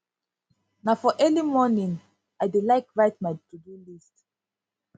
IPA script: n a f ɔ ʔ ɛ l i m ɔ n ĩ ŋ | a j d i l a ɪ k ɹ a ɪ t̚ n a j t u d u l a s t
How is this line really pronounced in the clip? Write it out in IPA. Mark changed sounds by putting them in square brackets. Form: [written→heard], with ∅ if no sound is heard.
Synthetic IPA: n a f ɔ ʔ ɛ l i m ɔ n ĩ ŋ | a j d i l a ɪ k ɹ a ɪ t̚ [n→m] a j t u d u l [a→i] s t